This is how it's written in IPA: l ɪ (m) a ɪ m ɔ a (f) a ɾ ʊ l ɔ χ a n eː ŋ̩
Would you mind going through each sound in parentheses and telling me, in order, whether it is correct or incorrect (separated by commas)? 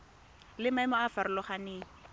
correct, correct